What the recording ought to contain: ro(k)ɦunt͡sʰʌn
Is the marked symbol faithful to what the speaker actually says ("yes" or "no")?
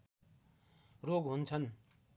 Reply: no